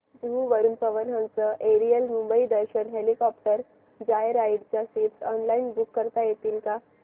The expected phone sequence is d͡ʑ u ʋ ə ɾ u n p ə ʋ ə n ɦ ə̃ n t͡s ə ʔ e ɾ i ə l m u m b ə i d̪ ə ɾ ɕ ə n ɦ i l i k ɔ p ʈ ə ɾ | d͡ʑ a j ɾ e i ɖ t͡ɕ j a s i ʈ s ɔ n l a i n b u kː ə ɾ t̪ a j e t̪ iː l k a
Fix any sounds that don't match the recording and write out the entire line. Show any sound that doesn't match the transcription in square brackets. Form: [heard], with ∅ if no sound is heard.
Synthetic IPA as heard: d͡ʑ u ʋ ə ɾ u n p ə ʋ ə n ɦ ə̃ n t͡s ə ʔ e ɾ i ə l m u m b ə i d̪ ə ɾ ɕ ə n ɦ [e] l i k ɔ p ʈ ə ɾ | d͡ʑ a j ɾ [a] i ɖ t͡ɕ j a s i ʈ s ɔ n l a i n b u kː ə ɾ t̪ a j e t̪ iː l k a

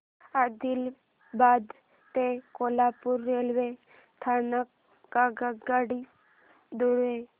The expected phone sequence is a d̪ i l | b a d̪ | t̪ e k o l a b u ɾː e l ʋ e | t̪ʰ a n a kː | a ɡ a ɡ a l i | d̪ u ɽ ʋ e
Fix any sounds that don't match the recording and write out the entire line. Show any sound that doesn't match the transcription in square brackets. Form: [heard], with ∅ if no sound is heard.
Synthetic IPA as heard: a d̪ i l | b a d̪ | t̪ e k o l a [p] u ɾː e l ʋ e | t̪ʰ a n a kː | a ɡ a ɡ a [ɽ] i | d̪ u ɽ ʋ e

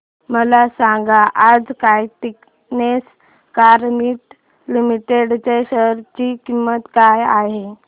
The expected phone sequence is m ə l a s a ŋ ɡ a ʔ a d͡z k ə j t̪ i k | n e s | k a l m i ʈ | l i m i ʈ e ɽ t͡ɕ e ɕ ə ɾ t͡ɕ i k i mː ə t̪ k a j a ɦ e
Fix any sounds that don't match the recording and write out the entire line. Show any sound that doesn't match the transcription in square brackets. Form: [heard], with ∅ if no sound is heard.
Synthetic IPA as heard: m ə l a s a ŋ ɡ a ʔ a d͡z k [a] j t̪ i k | n e s | k a [ɾ] m i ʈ | l i m i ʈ e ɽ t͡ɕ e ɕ ə ɾ t͡ɕ i k i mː ə t̪ k a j a ɦ e

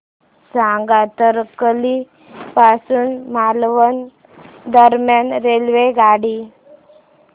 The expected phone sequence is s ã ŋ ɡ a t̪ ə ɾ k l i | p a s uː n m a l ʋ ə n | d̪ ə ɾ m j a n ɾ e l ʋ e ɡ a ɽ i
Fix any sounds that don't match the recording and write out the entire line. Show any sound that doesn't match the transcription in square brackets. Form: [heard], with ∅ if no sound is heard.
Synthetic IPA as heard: s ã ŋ ɡ a t̪ ə ɾ k l i | p a s uː n m a l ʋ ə n | d̪ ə ɾ m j a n ɾ e l ʋ e ɡ a ɽ i

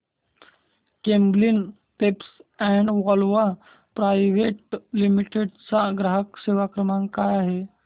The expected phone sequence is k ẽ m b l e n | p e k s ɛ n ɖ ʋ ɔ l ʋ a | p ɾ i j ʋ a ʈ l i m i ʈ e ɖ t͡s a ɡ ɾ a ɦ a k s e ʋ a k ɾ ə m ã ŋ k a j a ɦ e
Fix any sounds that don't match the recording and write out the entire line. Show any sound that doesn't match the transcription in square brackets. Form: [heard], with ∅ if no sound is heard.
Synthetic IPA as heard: k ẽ m b l [i] n | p e [p] s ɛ [ɳ] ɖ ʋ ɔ l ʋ a | p ɾ [a] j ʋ [e] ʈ l i m i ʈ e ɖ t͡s a ɡ ɾ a ɦ [ə] k s e ʋ a k ɾ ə m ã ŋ k a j a ɦ e

